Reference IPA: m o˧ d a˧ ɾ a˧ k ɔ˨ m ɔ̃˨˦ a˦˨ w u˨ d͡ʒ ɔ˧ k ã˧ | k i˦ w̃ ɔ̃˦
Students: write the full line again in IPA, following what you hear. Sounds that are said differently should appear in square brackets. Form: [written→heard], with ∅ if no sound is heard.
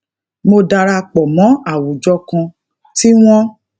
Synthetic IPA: m o˧ d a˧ ɾ a˧ [k→k͡p] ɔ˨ m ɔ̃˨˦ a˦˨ w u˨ d͡ʒ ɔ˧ k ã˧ | [k→t] i˦ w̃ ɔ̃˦